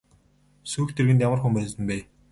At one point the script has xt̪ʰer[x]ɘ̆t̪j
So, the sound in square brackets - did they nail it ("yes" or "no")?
no